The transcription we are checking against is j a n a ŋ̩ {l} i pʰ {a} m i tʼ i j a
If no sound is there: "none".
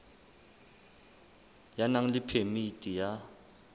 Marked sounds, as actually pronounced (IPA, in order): l, e

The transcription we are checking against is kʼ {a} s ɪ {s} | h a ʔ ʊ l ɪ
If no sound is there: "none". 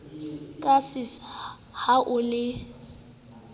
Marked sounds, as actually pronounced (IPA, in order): a, s

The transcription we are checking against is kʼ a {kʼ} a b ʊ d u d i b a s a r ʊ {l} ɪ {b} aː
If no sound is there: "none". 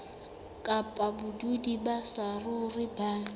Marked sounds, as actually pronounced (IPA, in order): pʼ, r, b

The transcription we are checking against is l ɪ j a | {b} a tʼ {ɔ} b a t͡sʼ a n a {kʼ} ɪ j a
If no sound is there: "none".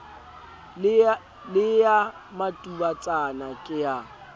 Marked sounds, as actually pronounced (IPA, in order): m, u, kʼ

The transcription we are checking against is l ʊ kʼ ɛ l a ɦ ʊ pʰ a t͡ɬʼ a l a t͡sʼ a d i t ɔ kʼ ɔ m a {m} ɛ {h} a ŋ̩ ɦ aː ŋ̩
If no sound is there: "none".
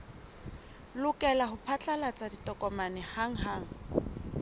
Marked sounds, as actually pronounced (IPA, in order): n, h

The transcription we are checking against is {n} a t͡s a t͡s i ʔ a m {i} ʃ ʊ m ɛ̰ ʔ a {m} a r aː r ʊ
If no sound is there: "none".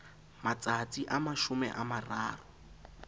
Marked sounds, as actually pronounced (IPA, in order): m, a, m

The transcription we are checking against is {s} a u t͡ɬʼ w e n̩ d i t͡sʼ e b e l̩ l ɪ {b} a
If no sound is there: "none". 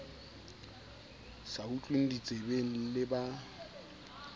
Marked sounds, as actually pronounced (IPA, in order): s, b

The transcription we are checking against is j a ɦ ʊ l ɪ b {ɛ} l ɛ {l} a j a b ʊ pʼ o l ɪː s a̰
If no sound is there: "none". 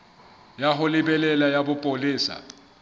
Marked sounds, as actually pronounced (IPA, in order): ɛ, l

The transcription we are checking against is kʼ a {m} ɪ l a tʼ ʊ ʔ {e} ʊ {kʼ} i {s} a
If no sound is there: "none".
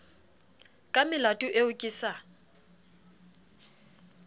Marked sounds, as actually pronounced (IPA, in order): m, e, kʼ, s

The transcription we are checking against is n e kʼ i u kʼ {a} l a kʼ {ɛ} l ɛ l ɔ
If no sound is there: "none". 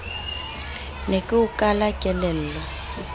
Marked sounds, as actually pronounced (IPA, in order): a, ɛ

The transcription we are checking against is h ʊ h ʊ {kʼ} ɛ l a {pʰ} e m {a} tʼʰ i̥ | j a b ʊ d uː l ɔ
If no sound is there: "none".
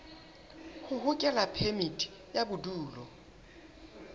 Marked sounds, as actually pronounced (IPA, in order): kʼ, pʰ, i

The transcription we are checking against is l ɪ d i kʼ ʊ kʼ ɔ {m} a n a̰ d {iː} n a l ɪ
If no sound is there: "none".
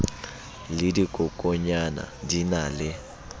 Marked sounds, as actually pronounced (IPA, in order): ɲ, i

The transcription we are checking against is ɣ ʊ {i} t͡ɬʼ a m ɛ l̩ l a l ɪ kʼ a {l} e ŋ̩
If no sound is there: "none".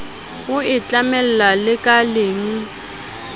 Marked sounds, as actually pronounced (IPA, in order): ɪ, l

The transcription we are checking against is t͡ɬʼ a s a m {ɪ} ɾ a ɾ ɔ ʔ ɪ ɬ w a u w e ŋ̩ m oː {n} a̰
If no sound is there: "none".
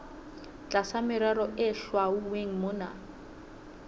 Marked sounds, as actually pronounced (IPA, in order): ɪ, n

